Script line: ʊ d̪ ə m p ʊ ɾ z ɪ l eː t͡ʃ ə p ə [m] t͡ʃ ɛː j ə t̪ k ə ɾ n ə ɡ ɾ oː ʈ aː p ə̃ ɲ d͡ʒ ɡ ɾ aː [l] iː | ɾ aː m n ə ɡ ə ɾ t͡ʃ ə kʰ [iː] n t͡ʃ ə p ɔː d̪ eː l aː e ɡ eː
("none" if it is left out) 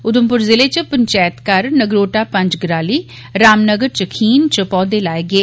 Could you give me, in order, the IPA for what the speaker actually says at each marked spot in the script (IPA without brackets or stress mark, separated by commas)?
ɲ, l, iː